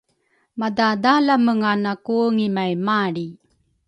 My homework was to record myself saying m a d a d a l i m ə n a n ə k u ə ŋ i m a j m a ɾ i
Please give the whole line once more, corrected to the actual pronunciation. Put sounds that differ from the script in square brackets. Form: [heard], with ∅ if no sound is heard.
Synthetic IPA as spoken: m a d a d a l [a] m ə [ŋ] a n [a] k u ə ŋ i m a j m a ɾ i